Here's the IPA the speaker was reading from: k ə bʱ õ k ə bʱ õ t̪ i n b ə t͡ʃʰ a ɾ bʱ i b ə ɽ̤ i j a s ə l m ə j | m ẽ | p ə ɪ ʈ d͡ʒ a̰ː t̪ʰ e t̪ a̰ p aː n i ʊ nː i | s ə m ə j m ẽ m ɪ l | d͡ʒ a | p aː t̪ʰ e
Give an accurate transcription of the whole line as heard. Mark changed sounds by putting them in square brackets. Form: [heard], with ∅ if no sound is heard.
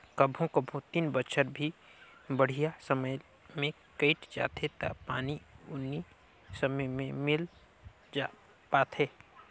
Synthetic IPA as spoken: k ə bʱ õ k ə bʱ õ t̪ i n b ə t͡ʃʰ [ə] ɾ bʱ i b ə ɽ̤ i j a s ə [∅] m ə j | m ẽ | [k] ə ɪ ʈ d͡ʒ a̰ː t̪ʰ e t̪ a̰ p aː n i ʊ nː i | s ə m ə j m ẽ m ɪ l | d͡ʒ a | p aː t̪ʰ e